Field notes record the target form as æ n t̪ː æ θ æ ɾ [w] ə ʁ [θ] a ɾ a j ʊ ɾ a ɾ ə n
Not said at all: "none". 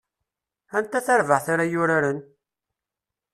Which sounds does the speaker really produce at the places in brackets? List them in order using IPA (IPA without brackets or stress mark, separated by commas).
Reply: v, θ